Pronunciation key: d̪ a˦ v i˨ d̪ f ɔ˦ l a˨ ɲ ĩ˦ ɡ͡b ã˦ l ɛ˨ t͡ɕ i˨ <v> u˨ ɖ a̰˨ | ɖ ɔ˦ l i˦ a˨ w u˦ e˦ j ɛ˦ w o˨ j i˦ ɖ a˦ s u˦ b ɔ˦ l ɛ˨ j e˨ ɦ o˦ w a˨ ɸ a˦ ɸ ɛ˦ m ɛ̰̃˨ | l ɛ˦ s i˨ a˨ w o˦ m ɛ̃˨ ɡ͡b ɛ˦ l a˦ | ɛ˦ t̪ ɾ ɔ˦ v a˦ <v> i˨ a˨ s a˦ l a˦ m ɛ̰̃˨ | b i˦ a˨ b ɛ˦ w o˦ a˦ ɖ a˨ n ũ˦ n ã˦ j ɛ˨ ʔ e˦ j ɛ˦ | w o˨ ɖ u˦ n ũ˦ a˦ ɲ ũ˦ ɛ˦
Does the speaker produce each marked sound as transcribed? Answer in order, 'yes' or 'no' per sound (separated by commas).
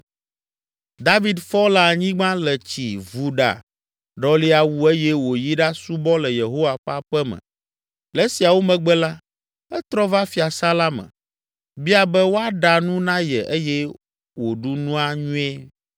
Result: yes, no